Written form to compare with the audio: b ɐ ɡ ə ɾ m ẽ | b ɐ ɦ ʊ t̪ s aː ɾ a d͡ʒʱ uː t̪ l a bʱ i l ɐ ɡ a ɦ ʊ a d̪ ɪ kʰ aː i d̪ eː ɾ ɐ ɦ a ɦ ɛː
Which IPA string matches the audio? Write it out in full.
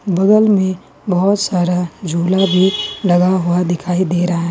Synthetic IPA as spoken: b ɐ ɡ ə l m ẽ | b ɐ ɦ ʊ t̪ s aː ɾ a d͡ʒʱ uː l a bʱ i l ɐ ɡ a ɦ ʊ a d̪ ɪ kʰ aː i d̪ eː ɾ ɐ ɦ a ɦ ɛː